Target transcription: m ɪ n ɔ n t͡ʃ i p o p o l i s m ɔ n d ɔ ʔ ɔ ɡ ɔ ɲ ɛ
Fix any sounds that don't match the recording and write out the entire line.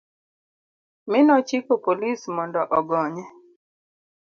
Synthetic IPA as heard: m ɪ n ɔ t͡ʃ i k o p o l i s m ɔ n d ɔ ʔ ɔ ɡ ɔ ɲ ɛ